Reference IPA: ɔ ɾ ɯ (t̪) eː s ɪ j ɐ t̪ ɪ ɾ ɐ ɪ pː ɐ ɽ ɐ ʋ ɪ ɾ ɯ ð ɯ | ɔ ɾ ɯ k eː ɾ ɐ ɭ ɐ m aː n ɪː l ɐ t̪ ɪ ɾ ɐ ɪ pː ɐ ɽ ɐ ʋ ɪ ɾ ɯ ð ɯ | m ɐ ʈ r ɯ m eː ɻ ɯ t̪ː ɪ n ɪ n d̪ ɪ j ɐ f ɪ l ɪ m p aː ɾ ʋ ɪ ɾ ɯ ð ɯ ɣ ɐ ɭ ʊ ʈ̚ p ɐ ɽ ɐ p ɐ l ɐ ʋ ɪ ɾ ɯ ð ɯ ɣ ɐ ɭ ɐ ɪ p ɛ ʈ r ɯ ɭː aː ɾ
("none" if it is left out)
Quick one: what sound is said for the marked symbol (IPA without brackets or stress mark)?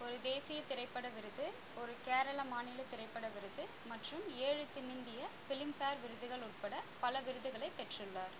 d̪